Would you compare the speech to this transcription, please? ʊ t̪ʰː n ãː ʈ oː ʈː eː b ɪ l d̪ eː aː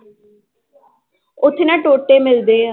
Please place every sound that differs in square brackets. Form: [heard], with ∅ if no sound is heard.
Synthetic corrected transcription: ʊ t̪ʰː n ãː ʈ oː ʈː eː [m] ɪ l d̪ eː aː